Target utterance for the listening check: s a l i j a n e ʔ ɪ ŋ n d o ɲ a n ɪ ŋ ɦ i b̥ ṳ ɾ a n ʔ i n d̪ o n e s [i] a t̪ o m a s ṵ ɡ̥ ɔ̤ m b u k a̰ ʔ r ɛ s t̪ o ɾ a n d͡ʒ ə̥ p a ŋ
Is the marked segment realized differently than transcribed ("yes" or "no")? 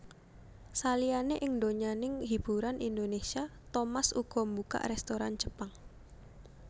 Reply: no